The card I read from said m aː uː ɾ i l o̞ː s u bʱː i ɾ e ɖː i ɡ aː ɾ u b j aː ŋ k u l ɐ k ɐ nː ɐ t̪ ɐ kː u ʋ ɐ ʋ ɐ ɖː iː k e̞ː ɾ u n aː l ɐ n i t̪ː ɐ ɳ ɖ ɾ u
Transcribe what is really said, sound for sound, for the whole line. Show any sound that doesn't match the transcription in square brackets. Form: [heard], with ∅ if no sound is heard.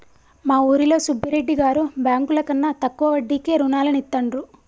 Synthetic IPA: m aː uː ɾ i l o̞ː s u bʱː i ɾ e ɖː i ɡ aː ɾ u b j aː ŋ k u l ɐ k ɐ nː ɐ t̪ ɐ kː u ʋ ɐ ʋ ɐ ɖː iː k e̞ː ɾ u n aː l ɐ n i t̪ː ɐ ɳ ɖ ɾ u